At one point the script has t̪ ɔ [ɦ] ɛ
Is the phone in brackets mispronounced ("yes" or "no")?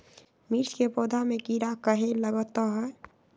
no